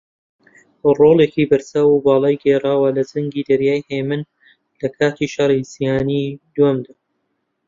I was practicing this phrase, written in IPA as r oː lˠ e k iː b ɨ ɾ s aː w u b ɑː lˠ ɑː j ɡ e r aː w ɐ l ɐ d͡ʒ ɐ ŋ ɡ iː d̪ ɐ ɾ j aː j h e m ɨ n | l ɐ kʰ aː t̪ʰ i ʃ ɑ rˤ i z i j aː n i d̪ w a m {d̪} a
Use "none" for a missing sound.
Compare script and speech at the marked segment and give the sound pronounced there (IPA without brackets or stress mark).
d̪